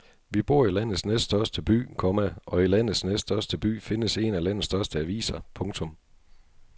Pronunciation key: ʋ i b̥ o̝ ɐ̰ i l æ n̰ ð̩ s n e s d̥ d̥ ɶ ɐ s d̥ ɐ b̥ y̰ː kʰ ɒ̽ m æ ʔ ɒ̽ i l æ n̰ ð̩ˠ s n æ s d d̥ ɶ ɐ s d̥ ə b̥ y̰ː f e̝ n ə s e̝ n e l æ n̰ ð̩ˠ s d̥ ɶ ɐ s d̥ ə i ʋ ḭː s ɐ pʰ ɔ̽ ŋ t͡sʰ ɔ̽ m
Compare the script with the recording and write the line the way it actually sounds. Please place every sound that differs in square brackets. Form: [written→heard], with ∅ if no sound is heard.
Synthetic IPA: ʋ i b̥ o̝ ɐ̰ i l æ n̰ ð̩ s n e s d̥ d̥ ɶ ɐ s d̥ [ɐ→ə] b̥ y̰ː kʰ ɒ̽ m æ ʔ ɒ̽ i l æ n̰ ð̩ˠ s n [æ→e] s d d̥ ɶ ɐ s d̥ ə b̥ y̰ː f e̝ n ə s e̝ n [e→æ] l æ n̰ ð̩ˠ s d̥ ɶ ɐ s d̥ ə [i→æ] ʋ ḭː s ɐ pʰ ɔ̽ ŋ t͡sʰ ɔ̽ m

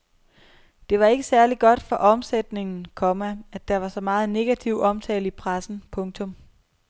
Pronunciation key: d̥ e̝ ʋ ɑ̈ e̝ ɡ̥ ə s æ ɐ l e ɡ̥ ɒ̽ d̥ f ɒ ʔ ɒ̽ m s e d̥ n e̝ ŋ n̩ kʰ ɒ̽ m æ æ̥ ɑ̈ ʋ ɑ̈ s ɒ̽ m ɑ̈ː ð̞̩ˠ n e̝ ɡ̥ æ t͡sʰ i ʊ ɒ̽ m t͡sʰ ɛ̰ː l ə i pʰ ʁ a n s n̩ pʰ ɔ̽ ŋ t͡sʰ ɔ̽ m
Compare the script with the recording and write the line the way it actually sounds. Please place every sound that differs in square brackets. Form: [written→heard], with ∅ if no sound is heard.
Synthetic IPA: d̥ e̝ ʋ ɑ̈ e̝ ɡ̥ ə s æ ɐ l [e→i] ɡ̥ ɒ̽ d̥ f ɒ ʔ ɒ̽ m s e d̥ n e̝ ŋ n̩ kʰ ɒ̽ m æ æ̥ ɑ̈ ʋ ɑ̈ s ɒ̽ m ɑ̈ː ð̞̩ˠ n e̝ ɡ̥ æ t͡sʰ i ʊ ɒ̽ m t͡sʰ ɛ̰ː l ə i pʰ ʁ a [n→∅] s n̩ pʰ ɔ̽ ŋ t͡sʰ ɔ̽ m

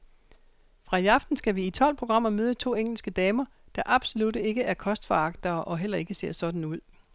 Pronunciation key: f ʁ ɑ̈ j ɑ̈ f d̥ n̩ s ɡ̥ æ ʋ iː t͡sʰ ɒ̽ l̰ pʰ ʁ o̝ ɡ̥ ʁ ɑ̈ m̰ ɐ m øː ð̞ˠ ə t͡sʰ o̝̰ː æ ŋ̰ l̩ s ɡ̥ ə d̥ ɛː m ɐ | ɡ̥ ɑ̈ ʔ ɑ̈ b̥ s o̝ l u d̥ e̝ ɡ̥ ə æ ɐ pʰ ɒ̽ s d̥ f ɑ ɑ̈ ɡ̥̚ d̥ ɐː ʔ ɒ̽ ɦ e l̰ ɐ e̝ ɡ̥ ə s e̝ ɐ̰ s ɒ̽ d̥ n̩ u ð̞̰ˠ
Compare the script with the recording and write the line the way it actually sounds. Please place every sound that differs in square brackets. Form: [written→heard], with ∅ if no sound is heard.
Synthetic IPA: f ʁ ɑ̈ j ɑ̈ f d̥ n̩ s ɡ̥ æ ʋ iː t͡sʰ ɒ̽ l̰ pʰ ʁ o̝ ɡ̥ ʁ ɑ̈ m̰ ɐ m øː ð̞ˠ ə t͡sʰ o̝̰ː [æ→e] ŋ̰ l̩ s ɡ̥ ə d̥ ɛː m ɐ | [ɡ̥→d̥] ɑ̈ ʔ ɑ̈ b̥ s o̝ l u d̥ e̝ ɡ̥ ə æ ɐ [pʰ→kʰ] ɒ̽ s d̥ f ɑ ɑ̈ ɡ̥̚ d̥ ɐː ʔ ɒ̽ ɦ e l̰ ɐ e̝ ɡ̥ ə s e̝ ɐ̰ s ɒ̽ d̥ n̩ u ð̞̰ˠ

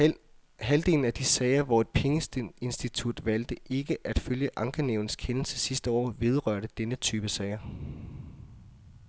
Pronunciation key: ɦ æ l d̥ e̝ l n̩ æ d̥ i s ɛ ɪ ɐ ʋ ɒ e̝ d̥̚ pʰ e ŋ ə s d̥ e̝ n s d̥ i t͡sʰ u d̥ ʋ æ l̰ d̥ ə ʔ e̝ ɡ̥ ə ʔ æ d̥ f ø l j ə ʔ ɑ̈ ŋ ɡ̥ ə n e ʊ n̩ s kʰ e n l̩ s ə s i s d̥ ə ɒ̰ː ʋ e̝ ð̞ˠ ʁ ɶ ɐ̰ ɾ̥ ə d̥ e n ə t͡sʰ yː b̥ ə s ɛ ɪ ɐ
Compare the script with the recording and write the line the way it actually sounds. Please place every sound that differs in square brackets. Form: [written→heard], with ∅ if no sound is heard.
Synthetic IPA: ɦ æ l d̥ e̝ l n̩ æ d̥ i s ɛ ɪ ɐ ʋ ɒ e̝ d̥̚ pʰ e ŋ ə s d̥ e̝ n s d̥ i t͡sʰ u d̥ ʋ æ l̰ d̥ ə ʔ e̝ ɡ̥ ə ʔ æ d̥ f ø l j ə ʔ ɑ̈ ŋ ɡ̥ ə n e ʊ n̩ s kʰ e n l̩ s ə s i s d̥ ə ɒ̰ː ʋ e̝ ð̞ˠ ʁ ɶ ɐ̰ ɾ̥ ə d̥ e n ə t͡sʰ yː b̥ ə s ɛ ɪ ɐ

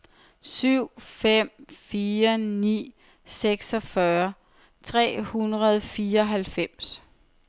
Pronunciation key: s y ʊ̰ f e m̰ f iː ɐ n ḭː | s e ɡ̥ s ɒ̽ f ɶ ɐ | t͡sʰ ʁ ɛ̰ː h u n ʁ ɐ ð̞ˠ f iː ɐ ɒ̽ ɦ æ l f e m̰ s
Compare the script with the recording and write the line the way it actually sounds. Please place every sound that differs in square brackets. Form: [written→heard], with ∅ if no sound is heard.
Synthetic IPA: s y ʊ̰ f e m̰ f iː ɐ n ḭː | s e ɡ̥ s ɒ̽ f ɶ ɐ | t͡sʰ ʁ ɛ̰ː h u n ʁ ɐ ð̞ˠ f iː ɐ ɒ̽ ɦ æ l f e m̰ s

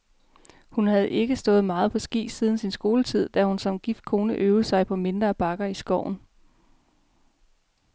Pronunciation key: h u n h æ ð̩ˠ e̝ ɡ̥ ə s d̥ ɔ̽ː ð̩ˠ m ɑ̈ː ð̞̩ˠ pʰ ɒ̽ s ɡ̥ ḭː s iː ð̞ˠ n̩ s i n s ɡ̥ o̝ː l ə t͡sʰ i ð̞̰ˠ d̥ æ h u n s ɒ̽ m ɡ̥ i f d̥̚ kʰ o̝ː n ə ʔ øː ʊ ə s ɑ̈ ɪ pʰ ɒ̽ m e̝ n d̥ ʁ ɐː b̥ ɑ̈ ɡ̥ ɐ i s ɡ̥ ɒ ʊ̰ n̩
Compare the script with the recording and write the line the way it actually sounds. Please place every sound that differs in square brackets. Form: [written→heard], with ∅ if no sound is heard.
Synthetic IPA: h u n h æ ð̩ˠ e̝ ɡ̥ ə s d̥ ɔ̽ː ð̩ˠ m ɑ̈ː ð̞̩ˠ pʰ ɒ̽ s ɡ̥ ḭː s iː ð̞ˠ n̩ s i n s ɡ̥ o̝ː l ə t͡sʰ i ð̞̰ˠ d̥ æ h u n s ɒ̽ m ɡ̥ i f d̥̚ kʰ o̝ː n ə ʔ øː ʊ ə s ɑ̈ ɪ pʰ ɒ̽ m e̝ n d̥ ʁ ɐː b̥ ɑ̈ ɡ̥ ɐ i s ɡ̥ ɒ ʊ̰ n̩

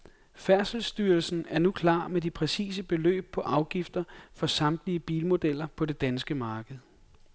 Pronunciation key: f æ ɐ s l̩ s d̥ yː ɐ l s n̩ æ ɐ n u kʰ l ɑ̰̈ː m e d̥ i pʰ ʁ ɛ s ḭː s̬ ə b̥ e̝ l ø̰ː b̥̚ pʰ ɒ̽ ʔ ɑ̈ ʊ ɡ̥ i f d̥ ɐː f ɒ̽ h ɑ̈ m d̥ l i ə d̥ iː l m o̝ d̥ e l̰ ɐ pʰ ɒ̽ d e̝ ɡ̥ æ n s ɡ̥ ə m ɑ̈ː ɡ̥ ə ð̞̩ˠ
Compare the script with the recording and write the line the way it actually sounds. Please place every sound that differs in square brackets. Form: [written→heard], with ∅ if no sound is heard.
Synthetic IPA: f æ ɐ s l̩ s d̥ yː ɐ l s n̩ æ ɐ n u kʰ l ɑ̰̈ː m e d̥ i pʰ ʁ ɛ s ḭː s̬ ə b̥ e̝ l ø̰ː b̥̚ pʰ ɒ̽ ʔ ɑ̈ ʊ ɡ̥ i f d̥ [ɐː→ɐ] f ɒ̽ [h→s] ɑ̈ m d̥ l i ə [d̥→b̥] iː l m o̝ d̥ e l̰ ɐ pʰ ɒ̽ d e̝ [ɡ̥→d̥] æ n s ɡ̥ ə m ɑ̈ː ɡ̥ ə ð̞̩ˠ

